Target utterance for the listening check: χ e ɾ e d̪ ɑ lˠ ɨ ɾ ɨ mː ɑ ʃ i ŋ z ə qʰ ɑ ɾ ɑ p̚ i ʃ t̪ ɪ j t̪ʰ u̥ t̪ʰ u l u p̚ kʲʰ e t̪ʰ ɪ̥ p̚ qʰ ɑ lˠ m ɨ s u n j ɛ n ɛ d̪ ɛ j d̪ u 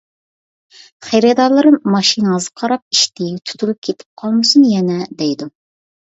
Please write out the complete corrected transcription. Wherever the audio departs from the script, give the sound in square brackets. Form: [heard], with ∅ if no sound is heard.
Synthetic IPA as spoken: χ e ɾ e d̪ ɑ lˠ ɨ ɾ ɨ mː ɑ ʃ i [n] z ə qʰ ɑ ɾ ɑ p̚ i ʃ t̪ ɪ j t̪ʰ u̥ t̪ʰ u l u p̚ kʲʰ e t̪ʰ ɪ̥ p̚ qʰ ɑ lˠ m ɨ s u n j ɛ n ɛ d̪ ɛ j d̪ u